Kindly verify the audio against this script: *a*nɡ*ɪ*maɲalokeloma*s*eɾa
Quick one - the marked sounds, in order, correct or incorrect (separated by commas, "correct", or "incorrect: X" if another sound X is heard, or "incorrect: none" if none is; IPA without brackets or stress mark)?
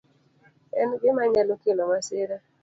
incorrect: ɛ, correct, correct